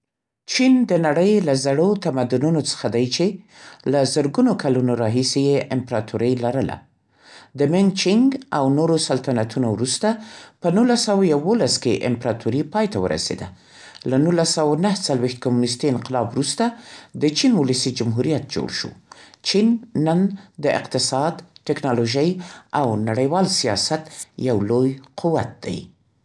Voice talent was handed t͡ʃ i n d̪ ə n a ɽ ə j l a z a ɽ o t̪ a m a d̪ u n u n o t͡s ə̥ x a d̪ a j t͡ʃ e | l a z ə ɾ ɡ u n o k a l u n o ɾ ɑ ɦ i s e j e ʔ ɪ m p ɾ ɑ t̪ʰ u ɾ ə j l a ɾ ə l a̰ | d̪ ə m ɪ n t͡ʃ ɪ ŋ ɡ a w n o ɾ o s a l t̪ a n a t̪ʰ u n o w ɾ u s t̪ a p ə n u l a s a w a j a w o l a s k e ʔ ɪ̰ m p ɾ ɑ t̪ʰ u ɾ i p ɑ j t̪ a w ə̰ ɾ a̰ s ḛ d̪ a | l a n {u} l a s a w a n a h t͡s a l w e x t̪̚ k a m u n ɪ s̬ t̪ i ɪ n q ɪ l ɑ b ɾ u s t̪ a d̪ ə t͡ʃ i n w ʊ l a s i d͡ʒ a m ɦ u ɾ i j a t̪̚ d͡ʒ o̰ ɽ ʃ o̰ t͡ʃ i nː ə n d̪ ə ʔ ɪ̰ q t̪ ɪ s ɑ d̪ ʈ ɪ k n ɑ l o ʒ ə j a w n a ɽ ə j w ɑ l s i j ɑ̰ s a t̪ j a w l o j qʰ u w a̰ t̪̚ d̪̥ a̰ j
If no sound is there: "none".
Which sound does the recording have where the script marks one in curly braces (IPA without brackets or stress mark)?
u